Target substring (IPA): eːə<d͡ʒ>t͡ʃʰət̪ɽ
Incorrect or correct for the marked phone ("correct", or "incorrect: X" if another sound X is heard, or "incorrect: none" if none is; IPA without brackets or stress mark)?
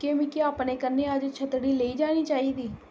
correct